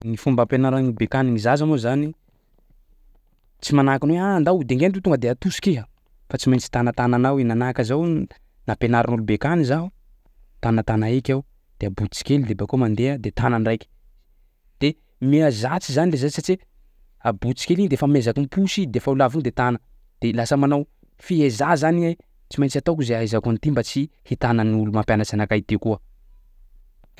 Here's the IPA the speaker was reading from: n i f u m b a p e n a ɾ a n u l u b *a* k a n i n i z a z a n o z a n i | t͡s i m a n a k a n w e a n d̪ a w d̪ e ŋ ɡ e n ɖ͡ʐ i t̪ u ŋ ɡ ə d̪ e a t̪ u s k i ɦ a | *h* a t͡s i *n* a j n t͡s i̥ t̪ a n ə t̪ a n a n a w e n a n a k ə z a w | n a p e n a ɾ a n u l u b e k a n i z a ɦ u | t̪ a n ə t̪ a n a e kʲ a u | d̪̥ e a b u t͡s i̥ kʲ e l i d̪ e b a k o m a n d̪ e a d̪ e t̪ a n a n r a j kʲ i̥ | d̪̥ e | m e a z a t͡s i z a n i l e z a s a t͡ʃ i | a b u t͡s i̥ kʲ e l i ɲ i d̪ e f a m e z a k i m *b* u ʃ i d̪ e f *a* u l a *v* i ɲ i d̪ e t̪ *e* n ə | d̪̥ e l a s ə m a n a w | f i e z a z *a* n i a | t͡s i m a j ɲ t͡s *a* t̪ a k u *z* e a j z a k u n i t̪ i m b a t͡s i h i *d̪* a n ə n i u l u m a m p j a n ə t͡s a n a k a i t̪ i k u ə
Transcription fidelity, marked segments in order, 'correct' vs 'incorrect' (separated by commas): incorrect, incorrect, incorrect, incorrect, correct, correct, incorrect, correct, correct, correct, incorrect